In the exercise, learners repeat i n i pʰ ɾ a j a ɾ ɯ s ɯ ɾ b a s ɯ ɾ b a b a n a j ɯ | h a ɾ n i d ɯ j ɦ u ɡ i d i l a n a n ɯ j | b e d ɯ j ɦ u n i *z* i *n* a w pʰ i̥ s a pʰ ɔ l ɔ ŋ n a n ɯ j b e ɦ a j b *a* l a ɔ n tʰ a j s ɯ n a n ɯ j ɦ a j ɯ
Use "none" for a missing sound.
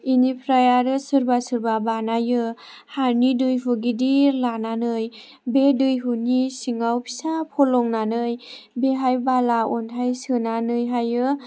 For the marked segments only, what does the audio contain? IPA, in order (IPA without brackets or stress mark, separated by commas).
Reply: s, ŋ, a